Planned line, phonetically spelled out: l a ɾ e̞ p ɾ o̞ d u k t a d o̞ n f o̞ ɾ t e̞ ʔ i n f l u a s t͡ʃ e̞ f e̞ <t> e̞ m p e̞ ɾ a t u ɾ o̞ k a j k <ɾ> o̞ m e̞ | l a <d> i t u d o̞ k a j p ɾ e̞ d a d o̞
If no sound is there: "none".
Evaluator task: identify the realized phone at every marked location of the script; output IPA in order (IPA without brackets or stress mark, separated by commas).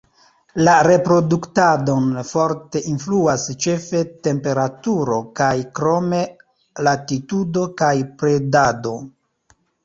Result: t, ɾ, t